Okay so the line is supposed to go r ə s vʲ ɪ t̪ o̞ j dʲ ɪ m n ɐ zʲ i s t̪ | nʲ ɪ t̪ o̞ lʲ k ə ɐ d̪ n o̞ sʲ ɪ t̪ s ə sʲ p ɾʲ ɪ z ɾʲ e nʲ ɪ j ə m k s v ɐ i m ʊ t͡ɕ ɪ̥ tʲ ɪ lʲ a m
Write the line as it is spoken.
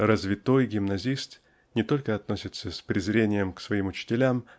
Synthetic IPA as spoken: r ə z vʲ ɪ t̪ o̞ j ɡʲ ɪ m n ɐ zʲ i s t̪ | nʲ ɪ t̪ o̞ lʲ k ə ɐ t̪ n o̞ sʲ ɪ t̪ s ə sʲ p ɾʲ ɪ z ɾʲ e nʲ ɪ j ə m k s v ɐ i m ʊ t͡ɕ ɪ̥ tʲ ɪ lʲ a m